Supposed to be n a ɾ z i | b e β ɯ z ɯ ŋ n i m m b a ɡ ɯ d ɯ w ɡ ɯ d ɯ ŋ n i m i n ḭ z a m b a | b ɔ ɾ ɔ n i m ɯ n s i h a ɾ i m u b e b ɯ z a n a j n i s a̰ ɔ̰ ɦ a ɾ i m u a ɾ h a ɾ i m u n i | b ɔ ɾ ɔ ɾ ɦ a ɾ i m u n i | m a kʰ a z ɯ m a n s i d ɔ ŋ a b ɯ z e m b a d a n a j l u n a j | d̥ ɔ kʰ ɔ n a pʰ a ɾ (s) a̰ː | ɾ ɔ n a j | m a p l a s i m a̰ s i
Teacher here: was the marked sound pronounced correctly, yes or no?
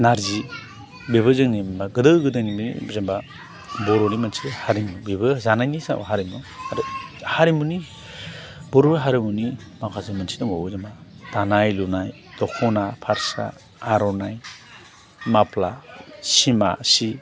yes